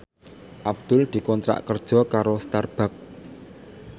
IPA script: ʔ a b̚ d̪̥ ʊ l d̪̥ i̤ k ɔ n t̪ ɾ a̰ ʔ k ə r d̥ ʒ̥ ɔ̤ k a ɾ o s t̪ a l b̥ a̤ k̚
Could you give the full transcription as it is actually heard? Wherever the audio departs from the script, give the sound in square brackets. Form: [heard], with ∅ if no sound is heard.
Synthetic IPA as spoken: ʔ a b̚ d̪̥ ʊ l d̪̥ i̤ k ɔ n t̪ ɾ a̰ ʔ k ə r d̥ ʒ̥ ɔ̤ k a ɾ o s t̪ a [r] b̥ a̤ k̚